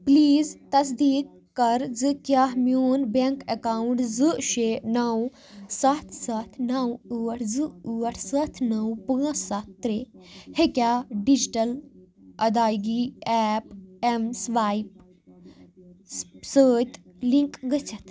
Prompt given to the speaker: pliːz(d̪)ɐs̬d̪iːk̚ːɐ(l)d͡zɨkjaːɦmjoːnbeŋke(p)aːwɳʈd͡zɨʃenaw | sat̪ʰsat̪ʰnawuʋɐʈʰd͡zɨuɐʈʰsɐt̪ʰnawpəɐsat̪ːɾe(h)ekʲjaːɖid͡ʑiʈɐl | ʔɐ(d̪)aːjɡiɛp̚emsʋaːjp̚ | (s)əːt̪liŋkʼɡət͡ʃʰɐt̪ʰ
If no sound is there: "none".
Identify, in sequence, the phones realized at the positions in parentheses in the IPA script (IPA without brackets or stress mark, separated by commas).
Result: t̪, ɾ, k, h, d̪, s